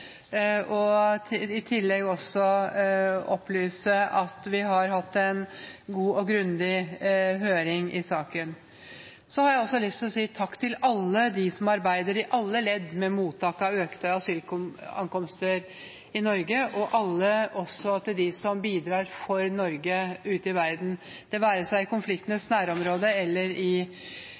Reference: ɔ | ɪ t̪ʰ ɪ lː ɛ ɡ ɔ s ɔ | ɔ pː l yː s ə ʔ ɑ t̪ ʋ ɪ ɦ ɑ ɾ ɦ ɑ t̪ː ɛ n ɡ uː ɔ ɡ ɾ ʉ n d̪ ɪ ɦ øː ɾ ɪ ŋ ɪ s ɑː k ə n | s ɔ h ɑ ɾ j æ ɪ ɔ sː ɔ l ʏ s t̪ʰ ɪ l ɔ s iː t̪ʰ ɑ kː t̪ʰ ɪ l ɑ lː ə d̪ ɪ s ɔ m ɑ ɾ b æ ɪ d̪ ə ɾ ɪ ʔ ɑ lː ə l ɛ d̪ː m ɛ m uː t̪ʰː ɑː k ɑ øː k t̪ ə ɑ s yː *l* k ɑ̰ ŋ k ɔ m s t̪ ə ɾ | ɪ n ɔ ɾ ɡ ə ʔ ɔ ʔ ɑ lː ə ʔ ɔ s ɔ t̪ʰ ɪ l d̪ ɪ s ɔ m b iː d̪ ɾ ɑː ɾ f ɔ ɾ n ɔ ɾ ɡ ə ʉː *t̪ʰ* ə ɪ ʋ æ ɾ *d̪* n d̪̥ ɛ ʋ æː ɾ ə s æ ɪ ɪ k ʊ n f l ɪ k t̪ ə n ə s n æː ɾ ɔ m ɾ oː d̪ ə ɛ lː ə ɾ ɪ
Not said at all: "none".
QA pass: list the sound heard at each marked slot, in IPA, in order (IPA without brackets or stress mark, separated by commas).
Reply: l, t̪, d̪